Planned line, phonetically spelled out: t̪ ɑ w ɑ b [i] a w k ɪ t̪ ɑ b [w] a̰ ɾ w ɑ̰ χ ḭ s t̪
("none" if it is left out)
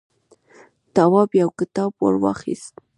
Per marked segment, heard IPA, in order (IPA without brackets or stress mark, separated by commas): j, w